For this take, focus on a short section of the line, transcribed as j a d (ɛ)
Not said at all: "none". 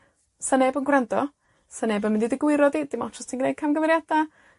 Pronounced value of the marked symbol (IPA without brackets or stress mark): a